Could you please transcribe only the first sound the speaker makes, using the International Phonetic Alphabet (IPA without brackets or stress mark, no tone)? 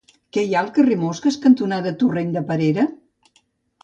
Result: k